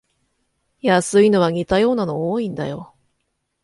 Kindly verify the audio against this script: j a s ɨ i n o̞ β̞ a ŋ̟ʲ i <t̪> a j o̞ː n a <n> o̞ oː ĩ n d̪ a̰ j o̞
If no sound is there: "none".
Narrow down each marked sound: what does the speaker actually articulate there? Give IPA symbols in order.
t̪, n

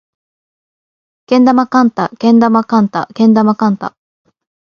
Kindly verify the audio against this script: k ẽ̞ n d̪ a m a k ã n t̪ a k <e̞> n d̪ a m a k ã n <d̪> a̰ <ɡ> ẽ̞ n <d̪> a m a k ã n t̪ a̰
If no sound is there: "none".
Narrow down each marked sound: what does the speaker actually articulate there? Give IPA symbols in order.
ẽ̞, t̪, k, d̪

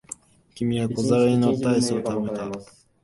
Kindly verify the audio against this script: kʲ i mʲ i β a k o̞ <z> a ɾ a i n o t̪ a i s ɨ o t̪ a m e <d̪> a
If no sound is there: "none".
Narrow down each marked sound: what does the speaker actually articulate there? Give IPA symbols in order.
z, t̪

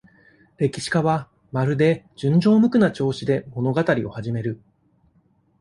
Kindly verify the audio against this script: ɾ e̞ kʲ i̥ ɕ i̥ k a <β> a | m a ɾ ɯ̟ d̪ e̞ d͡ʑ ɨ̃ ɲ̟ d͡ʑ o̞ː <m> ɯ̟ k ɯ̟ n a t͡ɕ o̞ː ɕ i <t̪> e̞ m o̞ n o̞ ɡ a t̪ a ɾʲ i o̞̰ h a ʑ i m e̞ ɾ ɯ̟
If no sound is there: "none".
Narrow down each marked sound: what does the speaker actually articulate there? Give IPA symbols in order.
β, m, d̪

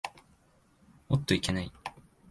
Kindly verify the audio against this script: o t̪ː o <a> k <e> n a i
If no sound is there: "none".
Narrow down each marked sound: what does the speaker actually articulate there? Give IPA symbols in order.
i, e

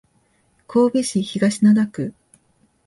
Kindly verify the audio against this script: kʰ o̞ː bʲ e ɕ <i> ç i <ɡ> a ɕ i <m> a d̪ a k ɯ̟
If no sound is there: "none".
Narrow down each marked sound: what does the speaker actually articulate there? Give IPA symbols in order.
i, ɡ, n

